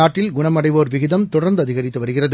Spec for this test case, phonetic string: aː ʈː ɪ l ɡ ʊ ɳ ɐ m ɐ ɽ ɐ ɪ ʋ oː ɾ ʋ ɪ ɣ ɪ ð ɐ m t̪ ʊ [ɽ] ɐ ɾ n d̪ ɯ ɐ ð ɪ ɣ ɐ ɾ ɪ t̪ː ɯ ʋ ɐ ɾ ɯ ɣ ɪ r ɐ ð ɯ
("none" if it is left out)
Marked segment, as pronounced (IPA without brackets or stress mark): ɽ